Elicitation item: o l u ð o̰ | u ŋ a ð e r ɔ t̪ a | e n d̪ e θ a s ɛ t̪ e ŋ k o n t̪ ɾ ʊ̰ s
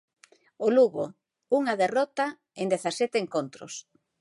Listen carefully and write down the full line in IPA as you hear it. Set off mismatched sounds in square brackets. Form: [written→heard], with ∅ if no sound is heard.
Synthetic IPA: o l u [ð→ɣ] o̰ | u ŋ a ð e r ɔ t̪ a | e n d̪ e θ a s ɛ t̪ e ŋ k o n t̪ ɾ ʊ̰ s